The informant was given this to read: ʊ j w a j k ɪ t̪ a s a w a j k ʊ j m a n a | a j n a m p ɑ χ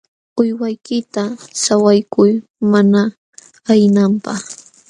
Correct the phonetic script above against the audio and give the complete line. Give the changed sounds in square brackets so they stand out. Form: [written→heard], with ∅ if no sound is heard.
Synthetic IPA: ʊ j w a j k ɪ t̪ a s a w a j k ʊ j m a n a | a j n a m p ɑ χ